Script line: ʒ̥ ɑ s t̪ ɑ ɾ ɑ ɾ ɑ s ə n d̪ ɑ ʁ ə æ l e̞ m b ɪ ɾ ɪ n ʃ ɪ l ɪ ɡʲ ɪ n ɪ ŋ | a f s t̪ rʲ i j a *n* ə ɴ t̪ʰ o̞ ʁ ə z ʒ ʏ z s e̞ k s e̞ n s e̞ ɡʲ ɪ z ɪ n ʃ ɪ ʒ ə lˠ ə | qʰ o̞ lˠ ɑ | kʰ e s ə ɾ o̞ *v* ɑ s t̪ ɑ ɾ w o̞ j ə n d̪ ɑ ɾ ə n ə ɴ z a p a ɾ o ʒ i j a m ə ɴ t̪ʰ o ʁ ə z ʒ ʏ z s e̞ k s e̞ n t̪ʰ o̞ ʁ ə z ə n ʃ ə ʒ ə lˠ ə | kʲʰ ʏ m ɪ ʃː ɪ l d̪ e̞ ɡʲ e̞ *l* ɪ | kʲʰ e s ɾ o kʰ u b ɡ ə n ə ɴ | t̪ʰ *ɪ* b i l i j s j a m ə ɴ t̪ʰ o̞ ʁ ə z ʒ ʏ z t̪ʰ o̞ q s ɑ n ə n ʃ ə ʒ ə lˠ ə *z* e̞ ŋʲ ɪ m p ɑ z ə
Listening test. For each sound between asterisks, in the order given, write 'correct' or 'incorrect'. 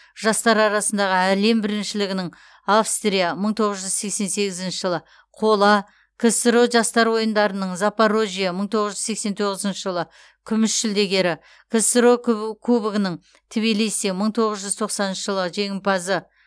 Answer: incorrect, incorrect, incorrect, correct, incorrect

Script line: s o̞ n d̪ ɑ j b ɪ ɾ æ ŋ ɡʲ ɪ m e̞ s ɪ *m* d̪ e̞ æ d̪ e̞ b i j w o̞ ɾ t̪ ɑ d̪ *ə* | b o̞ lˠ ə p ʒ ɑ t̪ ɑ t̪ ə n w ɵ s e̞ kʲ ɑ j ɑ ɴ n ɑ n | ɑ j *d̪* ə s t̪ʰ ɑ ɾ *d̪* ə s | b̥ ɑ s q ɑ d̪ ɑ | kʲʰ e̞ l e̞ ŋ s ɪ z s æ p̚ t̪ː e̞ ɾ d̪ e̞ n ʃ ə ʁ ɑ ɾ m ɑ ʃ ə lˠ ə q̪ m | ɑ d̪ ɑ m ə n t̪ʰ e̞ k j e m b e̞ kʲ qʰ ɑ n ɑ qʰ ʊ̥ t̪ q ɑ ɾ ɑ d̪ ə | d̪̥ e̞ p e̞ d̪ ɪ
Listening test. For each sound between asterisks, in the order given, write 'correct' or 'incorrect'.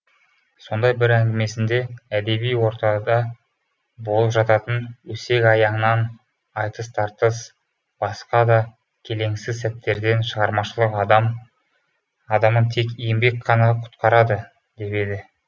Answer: incorrect, incorrect, incorrect, incorrect

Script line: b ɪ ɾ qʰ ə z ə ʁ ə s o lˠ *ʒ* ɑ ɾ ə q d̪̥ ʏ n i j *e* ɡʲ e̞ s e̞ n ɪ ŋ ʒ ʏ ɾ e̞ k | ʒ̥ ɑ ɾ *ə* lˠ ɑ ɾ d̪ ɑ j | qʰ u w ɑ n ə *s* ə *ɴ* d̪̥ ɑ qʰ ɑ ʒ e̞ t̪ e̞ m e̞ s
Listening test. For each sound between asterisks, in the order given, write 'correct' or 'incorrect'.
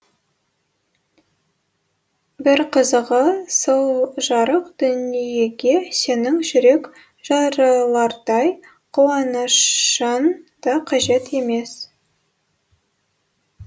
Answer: correct, correct, incorrect, incorrect, incorrect

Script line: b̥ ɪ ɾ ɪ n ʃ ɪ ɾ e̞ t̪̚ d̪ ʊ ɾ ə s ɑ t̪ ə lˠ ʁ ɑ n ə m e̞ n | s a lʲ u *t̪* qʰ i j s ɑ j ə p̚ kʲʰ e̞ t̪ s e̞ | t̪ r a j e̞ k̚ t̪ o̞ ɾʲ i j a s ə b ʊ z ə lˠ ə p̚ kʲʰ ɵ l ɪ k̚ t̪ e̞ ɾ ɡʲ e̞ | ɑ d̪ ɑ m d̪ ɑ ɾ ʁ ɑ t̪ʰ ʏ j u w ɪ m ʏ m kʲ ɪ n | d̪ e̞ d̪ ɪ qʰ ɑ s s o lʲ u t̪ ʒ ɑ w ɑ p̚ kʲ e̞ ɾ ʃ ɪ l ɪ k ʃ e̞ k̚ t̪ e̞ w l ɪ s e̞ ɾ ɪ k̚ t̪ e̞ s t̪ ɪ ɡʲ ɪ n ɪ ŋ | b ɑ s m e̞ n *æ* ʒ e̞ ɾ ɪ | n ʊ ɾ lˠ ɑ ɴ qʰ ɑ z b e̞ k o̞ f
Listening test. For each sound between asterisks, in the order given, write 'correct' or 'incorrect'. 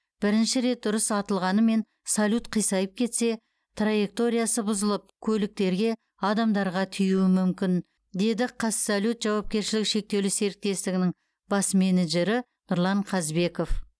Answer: correct, incorrect

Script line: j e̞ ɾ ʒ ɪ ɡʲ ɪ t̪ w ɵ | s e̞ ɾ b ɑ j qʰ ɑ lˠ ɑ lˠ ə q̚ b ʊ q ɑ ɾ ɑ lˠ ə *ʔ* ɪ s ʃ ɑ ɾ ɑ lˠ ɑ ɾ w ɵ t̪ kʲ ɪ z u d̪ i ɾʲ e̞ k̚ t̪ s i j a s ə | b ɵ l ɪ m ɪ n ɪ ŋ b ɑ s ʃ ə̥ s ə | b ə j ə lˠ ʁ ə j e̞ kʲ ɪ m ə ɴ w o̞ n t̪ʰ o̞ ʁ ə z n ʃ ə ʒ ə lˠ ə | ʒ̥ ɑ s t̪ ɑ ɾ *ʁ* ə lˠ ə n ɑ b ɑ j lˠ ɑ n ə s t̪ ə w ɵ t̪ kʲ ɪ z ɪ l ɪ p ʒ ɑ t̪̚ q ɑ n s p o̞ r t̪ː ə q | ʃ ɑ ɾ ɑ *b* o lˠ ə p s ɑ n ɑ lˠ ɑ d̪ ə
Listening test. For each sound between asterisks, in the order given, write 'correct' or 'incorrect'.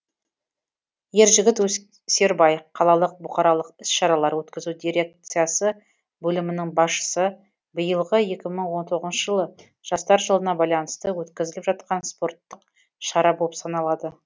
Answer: incorrect, incorrect, correct

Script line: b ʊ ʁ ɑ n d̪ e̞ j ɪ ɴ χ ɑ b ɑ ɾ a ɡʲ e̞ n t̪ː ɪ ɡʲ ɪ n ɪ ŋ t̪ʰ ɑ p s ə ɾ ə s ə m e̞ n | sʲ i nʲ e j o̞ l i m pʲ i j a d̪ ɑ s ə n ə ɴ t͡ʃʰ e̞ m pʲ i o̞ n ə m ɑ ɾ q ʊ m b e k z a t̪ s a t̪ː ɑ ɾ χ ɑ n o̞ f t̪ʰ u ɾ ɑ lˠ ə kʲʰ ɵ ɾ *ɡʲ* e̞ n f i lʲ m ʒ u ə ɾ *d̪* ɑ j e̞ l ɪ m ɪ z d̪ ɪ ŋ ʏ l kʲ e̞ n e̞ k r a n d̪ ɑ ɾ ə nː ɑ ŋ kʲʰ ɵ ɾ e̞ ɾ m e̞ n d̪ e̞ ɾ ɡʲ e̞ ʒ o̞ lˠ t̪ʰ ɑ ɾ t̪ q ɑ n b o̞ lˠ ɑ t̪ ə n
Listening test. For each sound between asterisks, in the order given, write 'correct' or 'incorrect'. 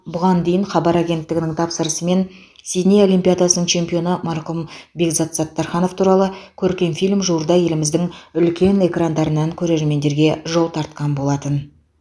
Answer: incorrect, correct

